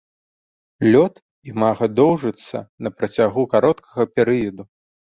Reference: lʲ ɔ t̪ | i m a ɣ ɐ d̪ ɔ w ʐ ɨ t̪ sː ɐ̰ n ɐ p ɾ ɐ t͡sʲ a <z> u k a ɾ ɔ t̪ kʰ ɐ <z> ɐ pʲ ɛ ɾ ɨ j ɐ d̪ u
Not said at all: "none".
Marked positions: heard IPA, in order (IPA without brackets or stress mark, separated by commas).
ɣ, ɣ